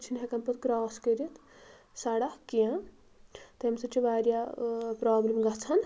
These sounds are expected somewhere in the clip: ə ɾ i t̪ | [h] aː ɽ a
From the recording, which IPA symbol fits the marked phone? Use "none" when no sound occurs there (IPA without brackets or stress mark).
s